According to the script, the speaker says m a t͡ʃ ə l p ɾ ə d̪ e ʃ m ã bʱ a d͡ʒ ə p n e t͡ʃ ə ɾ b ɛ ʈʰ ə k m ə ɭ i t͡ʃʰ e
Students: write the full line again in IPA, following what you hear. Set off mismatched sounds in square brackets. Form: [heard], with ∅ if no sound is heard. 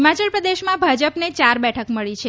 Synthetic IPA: m a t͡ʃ ə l p ɾ ə d̪ e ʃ m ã bʱ a d͡ʒ ə p n e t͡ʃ [a] ɾ b ɛ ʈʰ ə k m ə ɭ i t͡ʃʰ e